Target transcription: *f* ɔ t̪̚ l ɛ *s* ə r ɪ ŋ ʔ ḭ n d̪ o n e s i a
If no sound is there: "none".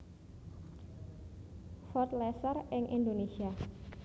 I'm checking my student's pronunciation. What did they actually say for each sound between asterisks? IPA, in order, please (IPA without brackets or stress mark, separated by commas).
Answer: f, s